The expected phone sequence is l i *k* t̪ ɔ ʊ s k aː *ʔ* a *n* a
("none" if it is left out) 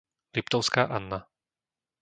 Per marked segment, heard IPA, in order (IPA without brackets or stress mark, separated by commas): p, ʔ, nː